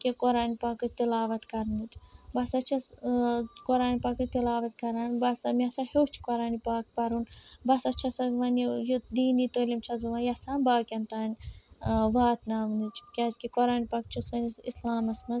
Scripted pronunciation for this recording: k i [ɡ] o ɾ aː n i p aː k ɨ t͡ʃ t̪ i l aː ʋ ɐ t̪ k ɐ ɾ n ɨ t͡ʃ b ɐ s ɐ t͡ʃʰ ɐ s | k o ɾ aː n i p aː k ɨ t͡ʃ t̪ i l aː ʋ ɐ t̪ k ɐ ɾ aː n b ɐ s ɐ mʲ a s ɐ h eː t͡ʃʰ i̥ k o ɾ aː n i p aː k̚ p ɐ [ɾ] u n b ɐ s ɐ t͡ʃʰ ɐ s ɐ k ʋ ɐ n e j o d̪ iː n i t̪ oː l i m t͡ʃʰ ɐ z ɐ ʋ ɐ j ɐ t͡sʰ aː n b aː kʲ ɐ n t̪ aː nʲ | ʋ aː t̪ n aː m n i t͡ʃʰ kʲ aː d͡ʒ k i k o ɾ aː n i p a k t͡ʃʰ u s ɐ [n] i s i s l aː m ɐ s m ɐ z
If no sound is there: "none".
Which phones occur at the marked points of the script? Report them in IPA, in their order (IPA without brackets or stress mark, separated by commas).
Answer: k, ɾ, n